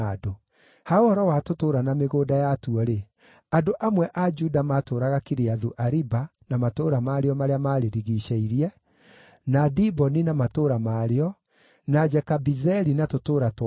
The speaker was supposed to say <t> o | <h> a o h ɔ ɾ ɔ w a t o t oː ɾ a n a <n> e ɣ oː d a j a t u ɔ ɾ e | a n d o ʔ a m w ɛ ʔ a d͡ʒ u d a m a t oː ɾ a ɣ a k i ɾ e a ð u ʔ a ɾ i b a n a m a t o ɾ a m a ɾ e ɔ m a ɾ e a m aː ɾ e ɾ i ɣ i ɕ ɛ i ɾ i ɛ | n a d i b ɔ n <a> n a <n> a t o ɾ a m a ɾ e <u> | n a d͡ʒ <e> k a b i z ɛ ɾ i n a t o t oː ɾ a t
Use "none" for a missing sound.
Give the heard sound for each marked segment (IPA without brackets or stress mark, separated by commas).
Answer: d, h, m, i, m, ɔ, ɛ